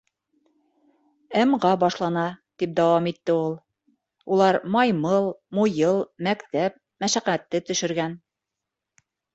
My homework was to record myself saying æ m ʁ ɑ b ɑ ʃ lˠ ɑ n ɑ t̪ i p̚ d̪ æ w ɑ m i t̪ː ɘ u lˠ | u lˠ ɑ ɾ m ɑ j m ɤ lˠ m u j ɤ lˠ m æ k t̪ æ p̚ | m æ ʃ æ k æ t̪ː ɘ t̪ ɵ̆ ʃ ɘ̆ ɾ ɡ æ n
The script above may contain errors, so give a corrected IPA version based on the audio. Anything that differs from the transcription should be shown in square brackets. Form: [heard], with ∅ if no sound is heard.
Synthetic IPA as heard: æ m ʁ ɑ b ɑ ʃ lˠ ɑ n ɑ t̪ i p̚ d̪ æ w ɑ m i t̪ː ɘ u lˠ | u lˠ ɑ ɾ m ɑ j m ɤ lˠ m u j ɤ lˠ m æ k t̪ æ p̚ | m æ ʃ æ [q] æ t̪ː ɘ t̪ ɵ̆ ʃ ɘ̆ ɾ ɡ æ n